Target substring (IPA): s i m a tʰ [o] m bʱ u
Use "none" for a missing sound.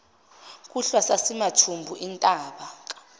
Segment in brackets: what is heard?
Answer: u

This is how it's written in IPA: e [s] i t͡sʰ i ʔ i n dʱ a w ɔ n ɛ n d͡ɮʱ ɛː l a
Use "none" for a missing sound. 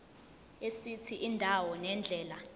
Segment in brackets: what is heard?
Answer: s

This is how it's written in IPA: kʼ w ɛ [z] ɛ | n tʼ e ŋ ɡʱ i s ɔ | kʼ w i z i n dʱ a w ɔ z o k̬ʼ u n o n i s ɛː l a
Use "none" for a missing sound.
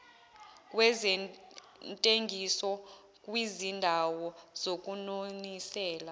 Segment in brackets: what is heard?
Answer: z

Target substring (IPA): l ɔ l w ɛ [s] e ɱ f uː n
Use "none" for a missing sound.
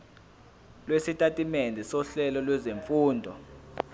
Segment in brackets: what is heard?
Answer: z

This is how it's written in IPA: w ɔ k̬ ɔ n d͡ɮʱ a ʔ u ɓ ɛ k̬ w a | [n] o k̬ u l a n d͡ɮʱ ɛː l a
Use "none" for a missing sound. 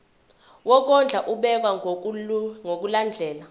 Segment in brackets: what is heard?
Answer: ŋ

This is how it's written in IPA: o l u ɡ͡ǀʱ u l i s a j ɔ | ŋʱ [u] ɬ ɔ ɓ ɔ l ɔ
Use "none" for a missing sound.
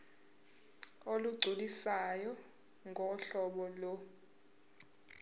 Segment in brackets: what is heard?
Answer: ɔ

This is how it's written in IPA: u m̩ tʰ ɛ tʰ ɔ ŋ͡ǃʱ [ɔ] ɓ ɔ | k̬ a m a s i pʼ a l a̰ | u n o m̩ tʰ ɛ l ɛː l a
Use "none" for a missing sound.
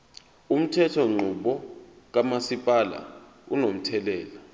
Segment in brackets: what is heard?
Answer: u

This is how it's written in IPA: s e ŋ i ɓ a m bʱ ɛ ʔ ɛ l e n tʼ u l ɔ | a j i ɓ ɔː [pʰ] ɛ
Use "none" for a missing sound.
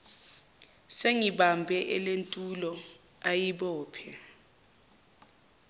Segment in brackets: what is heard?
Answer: pʰ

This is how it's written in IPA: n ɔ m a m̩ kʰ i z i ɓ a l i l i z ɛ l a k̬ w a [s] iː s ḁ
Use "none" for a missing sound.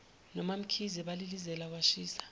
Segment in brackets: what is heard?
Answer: ʃ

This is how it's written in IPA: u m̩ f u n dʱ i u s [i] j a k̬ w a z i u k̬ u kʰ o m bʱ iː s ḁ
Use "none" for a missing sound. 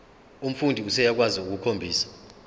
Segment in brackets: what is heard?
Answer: ɛ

